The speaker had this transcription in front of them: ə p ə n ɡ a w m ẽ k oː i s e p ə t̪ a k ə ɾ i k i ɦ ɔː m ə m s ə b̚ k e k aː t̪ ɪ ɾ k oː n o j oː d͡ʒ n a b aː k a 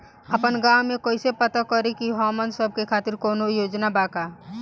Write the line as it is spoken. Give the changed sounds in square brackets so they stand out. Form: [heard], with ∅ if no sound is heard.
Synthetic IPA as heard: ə p ə n ɡ a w m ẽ k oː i s e p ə t̪ a k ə ɾ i k i ɦ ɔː m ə [n] s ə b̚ k e [kʰ] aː t̪ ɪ ɾ k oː n o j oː d͡ʒ n a b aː k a

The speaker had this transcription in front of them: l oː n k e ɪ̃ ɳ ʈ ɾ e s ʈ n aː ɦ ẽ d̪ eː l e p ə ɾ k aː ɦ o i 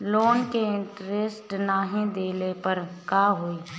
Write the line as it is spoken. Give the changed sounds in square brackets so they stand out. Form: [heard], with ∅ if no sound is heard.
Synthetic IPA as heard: l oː n k e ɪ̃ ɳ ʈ ɾ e s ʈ n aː ɦ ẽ d̪ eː l e p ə ɾ k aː ɦ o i

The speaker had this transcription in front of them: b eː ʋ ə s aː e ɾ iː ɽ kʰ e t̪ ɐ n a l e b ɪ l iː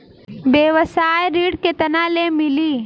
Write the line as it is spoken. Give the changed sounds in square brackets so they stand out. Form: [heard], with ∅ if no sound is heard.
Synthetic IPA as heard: b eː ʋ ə s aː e ɾ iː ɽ [k] e t̪ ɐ n a l e [m] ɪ l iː

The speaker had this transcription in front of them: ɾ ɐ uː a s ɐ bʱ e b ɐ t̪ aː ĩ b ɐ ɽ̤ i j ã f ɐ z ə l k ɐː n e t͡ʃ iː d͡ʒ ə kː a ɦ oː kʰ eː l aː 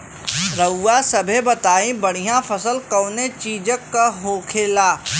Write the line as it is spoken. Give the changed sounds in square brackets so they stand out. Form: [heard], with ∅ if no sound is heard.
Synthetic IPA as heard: ɾ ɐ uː a s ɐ bʱ e b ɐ t̪ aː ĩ b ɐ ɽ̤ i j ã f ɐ [s] ə l k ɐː n e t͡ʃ iː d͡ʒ ə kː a ɦ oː kʰ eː l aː

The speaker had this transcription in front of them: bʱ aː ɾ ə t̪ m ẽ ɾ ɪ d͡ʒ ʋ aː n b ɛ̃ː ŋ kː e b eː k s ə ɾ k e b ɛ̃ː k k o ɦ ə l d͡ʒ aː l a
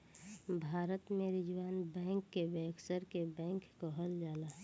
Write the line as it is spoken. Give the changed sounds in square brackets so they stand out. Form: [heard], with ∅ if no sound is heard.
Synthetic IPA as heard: bʱ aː ɾ ə t̪ m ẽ ɾ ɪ d͡ʒ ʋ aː n b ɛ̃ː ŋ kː e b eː k s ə ɾ k e b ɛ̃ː k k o ɦ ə l d͡ʒ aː l a

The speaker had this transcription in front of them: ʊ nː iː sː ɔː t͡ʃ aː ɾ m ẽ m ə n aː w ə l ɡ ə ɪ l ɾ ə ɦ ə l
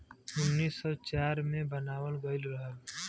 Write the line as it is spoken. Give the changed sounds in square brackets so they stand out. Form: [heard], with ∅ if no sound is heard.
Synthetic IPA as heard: ʊ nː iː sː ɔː t͡ʃ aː ɾ m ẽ [b] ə n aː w ə l ɡ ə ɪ l ɾ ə ɦ ə l

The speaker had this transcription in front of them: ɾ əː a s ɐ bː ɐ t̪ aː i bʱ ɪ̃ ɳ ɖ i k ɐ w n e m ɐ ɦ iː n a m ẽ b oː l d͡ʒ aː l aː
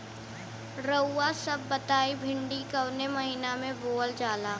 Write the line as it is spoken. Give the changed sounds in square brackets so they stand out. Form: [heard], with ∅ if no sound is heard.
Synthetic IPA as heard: ɾ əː a s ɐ bː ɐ t̪ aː i bʱ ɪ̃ ɳ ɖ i k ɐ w n e m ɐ ɦ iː n a m ẽ b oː l d͡ʒ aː l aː

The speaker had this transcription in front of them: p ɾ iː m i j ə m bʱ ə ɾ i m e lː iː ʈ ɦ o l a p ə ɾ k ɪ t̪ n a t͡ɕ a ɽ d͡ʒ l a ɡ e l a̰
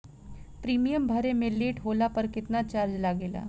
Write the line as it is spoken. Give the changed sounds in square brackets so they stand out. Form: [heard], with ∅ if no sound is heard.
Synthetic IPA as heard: p ɾ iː m i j ə m bʱ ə ɾ [e] m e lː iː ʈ ɦ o l a p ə ɾ k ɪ t̪ n a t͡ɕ a [ɾ] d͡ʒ l a ɡ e l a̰

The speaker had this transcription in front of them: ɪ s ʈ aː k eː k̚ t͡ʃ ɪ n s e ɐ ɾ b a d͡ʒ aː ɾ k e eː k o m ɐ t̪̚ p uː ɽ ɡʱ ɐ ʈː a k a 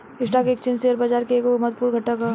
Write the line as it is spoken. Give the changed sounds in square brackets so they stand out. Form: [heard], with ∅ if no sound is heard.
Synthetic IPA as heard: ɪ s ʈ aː k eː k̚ t͡ʃ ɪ n s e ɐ ɾ b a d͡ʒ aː ɾ k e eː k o m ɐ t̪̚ p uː [ɾ] ɡʱ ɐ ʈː a k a

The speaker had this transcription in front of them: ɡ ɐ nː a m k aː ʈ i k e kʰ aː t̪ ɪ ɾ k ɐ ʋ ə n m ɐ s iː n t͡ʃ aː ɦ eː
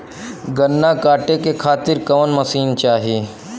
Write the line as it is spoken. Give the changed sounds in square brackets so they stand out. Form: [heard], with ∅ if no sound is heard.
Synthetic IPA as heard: ɡ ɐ nː a [∅] k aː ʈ [e] k e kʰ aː t̪ ɪ ɾ k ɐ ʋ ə n m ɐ s iː n t͡ʃ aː ɦ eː

